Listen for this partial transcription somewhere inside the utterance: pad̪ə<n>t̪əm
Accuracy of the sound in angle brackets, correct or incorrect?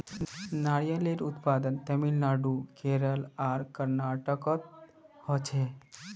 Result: correct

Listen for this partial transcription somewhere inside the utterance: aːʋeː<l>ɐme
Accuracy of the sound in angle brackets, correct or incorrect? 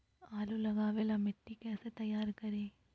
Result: correct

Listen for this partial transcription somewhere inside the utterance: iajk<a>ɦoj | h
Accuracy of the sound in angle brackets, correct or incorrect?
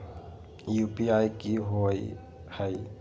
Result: incorrect: i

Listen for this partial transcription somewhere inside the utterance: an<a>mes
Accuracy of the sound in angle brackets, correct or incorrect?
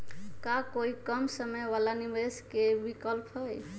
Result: incorrect: i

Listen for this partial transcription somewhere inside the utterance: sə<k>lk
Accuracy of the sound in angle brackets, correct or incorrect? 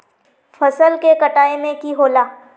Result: incorrect: none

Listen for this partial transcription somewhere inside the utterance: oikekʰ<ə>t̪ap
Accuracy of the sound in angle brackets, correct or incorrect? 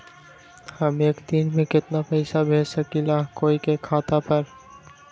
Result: incorrect: a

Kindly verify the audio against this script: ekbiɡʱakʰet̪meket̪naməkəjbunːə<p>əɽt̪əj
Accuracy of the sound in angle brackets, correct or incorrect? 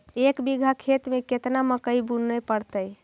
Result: correct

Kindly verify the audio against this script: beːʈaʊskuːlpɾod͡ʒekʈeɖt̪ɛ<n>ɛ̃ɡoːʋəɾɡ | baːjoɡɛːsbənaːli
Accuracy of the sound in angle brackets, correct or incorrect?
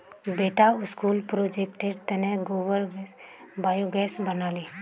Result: correct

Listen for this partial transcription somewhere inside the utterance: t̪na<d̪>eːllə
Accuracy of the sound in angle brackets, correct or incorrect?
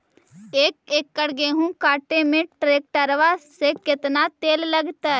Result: incorrect: t̪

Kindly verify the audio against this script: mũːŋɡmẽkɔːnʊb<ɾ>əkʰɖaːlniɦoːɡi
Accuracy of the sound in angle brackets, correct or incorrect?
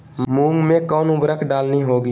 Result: correct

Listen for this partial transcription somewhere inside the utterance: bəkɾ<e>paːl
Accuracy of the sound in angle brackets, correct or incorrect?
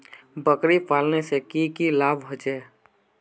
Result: incorrect: i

